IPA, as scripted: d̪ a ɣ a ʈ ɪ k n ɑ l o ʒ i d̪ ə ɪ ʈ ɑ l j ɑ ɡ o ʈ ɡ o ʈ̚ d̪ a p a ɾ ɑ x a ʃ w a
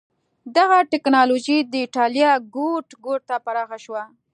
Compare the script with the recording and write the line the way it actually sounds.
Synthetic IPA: d̪ a ɣ a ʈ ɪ k n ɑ l o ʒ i d̪ ə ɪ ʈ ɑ l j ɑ ɡ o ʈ ɡ o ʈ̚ t̪ a p a ɾ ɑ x a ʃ w a